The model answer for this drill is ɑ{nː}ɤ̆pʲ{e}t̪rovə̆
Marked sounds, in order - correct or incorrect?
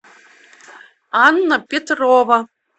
correct, correct

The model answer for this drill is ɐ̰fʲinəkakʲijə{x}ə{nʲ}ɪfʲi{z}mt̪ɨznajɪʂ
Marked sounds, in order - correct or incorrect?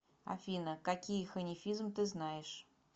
correct, correct, correct

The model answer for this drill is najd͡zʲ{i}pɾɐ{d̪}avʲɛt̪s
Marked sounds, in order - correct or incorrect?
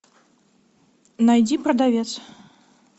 correct, correct

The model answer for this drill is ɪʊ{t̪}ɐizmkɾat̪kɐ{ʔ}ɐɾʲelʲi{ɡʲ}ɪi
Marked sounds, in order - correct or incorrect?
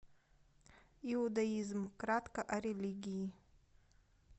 incorrect: d̪, correct, correct

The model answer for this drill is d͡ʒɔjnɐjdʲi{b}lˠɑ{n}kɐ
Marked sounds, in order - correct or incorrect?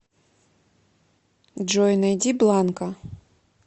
correct, correct

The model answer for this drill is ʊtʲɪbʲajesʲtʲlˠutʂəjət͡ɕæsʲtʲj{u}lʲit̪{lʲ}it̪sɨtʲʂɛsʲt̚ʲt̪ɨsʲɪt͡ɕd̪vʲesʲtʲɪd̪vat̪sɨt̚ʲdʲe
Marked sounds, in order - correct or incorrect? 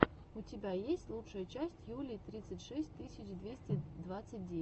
correct, incorrect: ɾʲ

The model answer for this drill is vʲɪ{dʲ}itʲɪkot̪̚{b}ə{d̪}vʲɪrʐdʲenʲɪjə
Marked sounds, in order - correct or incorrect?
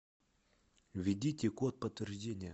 correct, incorrect: p, incorrect: t̪

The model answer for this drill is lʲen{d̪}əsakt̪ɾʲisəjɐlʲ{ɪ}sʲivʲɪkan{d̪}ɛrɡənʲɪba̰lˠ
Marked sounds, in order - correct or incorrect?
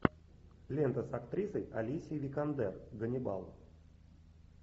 incorrect: t̪, incorrect: i, correct

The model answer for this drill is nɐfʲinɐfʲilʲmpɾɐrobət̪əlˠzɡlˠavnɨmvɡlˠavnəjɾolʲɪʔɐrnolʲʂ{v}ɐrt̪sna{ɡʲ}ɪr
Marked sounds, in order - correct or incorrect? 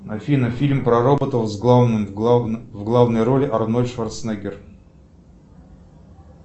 correct, correct

